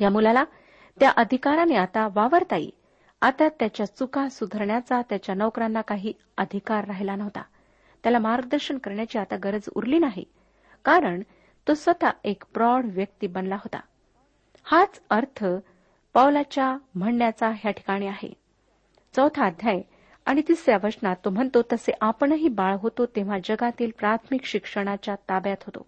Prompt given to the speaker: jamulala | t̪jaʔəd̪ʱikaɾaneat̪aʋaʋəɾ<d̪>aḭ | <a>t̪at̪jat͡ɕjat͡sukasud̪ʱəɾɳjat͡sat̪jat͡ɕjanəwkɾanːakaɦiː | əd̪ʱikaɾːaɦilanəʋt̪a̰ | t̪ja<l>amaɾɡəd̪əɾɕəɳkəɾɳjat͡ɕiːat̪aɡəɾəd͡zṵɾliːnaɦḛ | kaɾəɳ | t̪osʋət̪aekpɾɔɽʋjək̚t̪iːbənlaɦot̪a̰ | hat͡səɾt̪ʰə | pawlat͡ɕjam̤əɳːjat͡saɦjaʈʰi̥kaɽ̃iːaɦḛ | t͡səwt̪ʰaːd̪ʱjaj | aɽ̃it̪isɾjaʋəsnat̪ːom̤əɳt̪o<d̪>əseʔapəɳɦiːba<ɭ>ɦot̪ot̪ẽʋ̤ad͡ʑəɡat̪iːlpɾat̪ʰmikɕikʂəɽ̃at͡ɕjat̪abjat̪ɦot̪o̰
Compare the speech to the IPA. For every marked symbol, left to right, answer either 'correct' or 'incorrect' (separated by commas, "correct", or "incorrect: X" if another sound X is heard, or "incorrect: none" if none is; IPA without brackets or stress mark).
incorrect: t̪, correct, correct, incorrect: t̪, correct